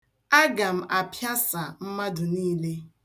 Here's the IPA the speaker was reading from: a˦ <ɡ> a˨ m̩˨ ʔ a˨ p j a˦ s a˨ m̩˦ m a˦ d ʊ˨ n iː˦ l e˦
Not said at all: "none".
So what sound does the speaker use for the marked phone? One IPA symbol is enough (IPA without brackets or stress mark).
ɡ